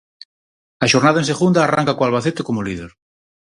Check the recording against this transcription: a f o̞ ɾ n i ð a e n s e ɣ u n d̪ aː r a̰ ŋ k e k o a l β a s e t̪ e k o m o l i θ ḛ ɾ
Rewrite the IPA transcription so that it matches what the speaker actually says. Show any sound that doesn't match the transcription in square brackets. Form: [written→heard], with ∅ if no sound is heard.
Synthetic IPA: a [f→ʃ] o̞ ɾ n [i→a] ð a e n s e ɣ u n d̪ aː r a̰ ŋ k [e→a] k o a l β a [s→θ] e t̪ e k o m o l i [θ→ð] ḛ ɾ

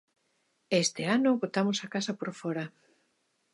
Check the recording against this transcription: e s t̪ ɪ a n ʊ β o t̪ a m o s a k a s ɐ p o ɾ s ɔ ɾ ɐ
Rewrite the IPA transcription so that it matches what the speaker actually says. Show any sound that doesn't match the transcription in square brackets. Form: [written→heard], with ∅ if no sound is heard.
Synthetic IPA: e s t̪ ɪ a n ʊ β o t̪ a m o s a k a s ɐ p o ɾ [s→f] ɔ ɾ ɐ

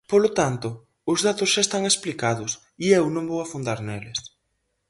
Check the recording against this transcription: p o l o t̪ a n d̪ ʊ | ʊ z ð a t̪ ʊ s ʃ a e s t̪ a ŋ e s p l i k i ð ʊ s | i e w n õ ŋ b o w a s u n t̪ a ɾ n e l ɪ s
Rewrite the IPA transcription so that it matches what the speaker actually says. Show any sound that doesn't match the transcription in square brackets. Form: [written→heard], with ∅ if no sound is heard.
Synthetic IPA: p o l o t̪ a n [d̪→t̪] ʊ | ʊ z ð a t̪ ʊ s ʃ a e s t̪ a ŋ e s p l i k [i→a] ð ʊ s | i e w n õ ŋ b o w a [s→f] u n [t̪→d̪] a ɾ n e l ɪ s

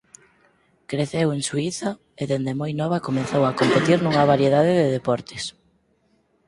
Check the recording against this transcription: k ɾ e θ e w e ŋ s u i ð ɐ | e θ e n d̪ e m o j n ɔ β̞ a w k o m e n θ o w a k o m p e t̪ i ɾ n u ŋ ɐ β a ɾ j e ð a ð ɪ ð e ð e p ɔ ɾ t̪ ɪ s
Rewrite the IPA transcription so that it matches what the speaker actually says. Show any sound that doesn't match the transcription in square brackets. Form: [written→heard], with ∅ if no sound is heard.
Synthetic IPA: k ɾ e θ e w e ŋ s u i [ð→θ] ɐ | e [θ→ð] e n d̪ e m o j n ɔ β̞ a [w→∅] k o m e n θ o w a k o m p e t̪ i ɾ n u ŋ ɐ β a ɾ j e ð a ð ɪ ð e ð e p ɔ ɾ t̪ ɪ s

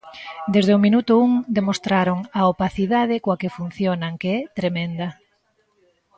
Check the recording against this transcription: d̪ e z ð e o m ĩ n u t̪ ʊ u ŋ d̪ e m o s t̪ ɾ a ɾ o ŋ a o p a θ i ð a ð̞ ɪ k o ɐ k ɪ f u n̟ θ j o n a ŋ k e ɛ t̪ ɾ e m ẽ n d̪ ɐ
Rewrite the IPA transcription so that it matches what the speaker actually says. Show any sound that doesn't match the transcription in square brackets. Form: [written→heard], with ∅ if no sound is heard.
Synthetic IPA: d̪ e z ð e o m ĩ n u t̪ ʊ u ŋ d̪ e m o s t̪ ɾ a ɾ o ŋ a o p a θ i ð a ð̞ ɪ k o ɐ k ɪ f u n̟ θ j o n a ŋ k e ɛ t̪ ɾ e m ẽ n d̪ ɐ

